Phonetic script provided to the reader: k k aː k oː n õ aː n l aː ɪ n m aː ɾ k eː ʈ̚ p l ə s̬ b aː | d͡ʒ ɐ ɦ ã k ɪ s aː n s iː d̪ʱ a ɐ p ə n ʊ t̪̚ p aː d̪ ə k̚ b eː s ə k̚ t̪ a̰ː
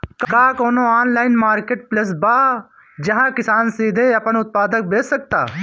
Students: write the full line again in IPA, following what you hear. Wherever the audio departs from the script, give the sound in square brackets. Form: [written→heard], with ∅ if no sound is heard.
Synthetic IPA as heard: k k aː k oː n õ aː n l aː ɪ n m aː ɾ k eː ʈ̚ p l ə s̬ b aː | d͡ʒ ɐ ɦ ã k ɪ s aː n s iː d̪ʱ [a→e] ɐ p ə n ʊ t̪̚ p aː d̪ ə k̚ b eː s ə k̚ t̪ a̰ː